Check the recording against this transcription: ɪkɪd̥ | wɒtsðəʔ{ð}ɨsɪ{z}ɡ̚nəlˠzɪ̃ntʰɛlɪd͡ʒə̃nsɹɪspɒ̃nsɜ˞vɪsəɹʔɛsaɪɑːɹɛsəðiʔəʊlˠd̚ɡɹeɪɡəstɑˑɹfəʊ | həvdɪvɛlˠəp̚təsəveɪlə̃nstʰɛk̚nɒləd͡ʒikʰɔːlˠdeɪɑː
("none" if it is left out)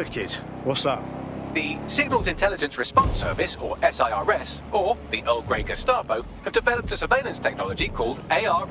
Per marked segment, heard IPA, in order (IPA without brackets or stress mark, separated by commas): ð, none